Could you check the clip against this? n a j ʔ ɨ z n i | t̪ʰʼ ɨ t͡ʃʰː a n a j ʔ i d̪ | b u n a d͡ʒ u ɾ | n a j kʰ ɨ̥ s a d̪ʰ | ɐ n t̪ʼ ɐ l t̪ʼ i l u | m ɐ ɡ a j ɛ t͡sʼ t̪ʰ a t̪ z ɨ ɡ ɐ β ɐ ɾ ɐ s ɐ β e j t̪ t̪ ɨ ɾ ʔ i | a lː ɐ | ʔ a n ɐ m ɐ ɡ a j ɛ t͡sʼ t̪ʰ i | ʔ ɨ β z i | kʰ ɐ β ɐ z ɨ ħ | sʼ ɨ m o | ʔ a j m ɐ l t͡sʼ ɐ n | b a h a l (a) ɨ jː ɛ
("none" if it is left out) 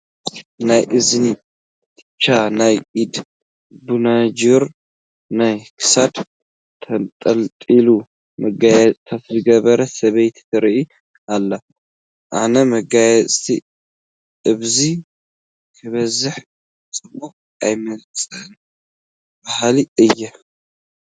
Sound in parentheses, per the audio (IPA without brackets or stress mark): i